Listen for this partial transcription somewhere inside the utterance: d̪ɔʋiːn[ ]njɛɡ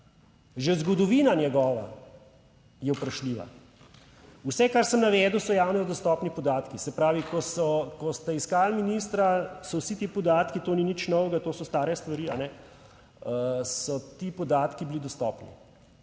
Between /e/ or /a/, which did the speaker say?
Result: a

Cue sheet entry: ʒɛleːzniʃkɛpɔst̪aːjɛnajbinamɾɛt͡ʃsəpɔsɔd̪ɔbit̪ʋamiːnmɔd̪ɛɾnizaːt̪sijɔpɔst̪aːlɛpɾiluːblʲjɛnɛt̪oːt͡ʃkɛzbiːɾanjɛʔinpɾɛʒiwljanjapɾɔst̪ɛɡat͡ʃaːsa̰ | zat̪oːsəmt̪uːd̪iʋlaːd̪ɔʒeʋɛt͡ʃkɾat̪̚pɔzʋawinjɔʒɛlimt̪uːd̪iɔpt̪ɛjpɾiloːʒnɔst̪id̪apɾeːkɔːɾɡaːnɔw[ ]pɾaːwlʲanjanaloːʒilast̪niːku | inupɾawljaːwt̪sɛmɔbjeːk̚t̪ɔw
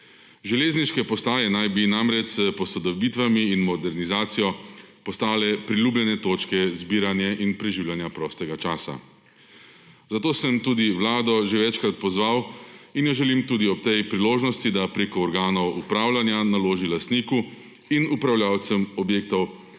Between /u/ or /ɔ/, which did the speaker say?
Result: u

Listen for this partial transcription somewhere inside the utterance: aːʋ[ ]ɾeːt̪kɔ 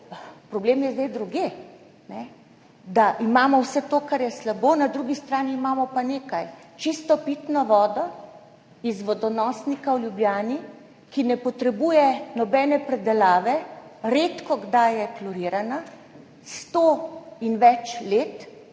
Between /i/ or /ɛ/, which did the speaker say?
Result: ɛ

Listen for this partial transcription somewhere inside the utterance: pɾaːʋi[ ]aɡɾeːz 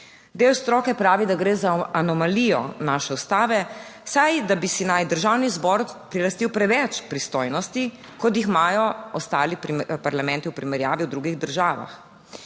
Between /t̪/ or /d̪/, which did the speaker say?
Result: d̪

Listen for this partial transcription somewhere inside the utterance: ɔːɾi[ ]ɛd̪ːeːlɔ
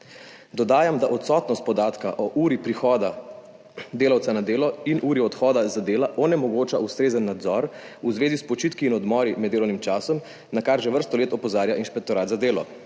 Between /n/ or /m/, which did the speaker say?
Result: m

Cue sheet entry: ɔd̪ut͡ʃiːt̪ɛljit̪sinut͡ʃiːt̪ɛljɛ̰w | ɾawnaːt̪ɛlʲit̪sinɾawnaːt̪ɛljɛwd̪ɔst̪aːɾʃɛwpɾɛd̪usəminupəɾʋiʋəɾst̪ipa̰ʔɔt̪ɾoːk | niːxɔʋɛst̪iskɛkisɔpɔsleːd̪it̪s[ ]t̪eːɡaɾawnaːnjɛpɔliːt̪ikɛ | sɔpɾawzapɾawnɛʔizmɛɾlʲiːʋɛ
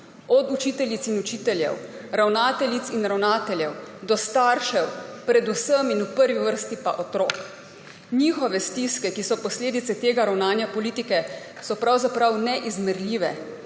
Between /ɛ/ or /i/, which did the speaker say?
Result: ɛ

